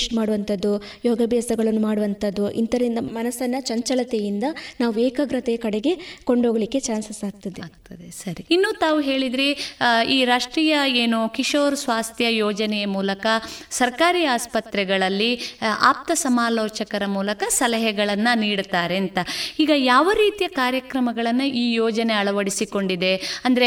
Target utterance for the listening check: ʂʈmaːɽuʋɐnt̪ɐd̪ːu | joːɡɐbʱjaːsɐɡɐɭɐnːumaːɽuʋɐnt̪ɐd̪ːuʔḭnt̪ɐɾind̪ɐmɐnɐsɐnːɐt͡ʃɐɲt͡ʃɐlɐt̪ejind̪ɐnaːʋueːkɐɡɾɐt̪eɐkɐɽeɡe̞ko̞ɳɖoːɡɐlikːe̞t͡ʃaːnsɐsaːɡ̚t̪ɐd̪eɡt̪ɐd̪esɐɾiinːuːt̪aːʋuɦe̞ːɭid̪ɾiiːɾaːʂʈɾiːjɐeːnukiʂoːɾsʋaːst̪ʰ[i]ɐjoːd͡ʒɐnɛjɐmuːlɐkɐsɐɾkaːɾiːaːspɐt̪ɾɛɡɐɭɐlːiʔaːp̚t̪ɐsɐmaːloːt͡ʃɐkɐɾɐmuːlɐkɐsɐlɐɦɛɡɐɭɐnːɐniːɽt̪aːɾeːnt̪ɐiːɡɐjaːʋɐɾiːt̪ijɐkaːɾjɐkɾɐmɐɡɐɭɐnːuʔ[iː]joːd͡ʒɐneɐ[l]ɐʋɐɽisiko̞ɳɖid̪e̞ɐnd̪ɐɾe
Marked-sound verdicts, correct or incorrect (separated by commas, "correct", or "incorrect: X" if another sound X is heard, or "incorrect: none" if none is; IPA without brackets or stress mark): incorrect: j, correct, incorrect: ɭ